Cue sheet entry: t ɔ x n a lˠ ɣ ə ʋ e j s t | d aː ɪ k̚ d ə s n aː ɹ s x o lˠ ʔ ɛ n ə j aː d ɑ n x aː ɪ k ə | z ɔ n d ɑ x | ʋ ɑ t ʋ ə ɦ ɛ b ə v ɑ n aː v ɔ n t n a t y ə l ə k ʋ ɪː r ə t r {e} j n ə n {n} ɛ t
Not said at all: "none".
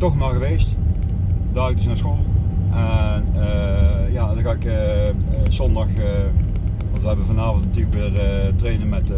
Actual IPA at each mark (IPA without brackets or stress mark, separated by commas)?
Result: e, m